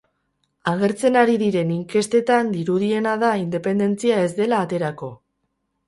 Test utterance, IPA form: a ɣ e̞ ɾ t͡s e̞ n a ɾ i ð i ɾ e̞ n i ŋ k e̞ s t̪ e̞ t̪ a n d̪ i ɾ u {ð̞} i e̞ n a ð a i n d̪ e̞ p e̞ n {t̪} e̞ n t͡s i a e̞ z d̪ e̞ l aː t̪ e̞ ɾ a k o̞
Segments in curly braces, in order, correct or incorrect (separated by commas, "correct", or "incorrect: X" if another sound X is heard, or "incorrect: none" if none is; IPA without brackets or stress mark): correct, incorrect: d̪